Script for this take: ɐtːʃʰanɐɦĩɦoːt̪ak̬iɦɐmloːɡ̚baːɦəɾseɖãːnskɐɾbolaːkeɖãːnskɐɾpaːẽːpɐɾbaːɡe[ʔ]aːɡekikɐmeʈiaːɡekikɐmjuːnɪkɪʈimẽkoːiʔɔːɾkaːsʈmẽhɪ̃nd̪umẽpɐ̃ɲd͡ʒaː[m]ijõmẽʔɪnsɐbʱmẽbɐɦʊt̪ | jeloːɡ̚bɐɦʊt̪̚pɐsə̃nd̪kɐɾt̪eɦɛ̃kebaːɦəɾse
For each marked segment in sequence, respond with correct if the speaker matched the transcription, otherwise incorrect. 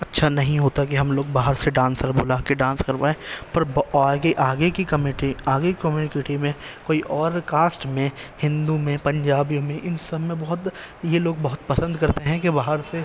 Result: correct, incorrect: b

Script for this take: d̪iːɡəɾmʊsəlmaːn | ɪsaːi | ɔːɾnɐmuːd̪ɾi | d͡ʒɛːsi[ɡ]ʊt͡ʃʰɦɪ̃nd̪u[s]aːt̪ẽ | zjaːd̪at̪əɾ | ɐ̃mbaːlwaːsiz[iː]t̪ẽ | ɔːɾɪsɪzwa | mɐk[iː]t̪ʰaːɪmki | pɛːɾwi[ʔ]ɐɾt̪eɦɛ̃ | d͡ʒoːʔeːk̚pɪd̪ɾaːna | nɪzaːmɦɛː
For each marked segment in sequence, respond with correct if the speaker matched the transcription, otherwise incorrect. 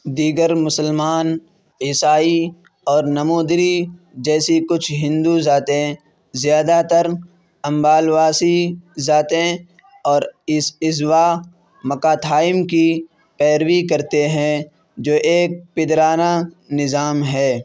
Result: incorrect: k, incorrect: z, incorrect: aː, incorrect: aː, incorrect: k

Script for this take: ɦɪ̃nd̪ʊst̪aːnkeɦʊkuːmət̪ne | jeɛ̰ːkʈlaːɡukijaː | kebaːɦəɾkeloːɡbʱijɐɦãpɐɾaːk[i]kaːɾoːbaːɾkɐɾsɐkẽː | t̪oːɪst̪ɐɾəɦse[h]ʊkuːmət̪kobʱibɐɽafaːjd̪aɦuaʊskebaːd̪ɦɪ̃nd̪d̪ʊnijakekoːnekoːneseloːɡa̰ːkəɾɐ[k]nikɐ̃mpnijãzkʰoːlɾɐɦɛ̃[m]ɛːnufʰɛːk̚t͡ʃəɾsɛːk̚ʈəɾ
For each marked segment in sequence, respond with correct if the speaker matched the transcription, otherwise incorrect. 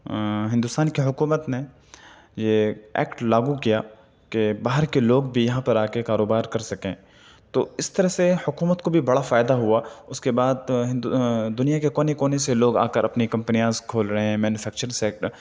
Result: incorrect: e, correct, incorrect: p, correct

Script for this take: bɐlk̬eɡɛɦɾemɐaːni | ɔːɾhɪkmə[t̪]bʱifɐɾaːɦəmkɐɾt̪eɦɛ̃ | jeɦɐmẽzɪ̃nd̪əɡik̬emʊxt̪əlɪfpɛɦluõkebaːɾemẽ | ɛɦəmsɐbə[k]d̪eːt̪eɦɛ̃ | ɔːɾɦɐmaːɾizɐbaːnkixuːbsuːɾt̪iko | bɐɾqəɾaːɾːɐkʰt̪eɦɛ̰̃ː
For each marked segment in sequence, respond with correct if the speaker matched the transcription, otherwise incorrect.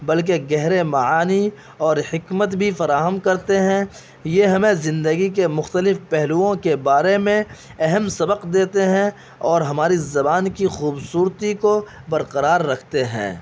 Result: correct, incorrect: q

